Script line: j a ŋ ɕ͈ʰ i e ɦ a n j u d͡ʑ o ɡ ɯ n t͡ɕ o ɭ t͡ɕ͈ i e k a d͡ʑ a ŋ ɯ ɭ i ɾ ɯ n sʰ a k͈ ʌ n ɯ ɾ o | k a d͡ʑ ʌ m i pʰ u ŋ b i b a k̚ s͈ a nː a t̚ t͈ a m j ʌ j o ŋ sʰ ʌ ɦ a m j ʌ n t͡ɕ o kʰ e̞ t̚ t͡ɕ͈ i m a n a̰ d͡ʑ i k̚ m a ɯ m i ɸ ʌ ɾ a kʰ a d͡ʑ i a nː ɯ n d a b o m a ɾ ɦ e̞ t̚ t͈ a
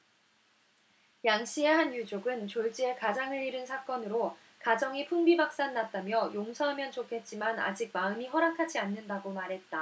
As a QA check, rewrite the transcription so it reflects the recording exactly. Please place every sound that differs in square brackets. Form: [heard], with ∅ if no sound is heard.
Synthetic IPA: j a ŋ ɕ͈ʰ i e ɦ a n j u d͡ʑ o ɡ ɯ n t͡ɕ o ɭ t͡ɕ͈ i e k a d͡ʑ a ŋ ɯ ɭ i ɾ ɯ n sʰ a k͈ ʌ n ɯ ɾ o | k a d͡ʑ ʌ [ŋ] i pʰ u ŋ b i b a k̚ s͈ a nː a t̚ t͈ a m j ʌ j o ŋ sʰ ʌ ɦ a m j ʌ n t͡ɕ o kʰ e̞ t̚ t͡ɕ͈ i m a n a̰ d͡ʑ i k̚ m a ɯ m i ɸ ʌ ɾ a kʰ a d͡ʑ i a nː ɯ n d a [ɡ] o m a ɾ ɦ e̞ t̚ t͈ a